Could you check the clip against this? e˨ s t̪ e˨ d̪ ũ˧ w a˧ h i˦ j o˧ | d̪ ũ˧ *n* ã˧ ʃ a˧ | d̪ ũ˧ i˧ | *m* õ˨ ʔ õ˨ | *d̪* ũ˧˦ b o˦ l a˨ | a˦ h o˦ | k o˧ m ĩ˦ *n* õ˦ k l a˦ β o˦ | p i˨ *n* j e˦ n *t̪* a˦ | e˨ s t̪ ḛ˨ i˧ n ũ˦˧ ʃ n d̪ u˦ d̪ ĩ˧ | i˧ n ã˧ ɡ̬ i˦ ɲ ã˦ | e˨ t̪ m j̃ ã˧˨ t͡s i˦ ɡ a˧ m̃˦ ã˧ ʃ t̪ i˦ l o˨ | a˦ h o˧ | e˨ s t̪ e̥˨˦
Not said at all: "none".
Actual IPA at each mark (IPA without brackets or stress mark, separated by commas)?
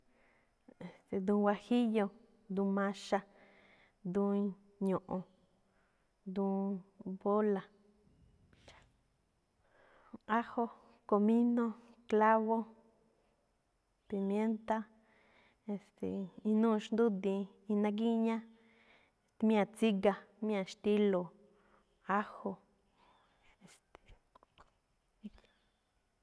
m, ɲ, d̪, n, m, t̪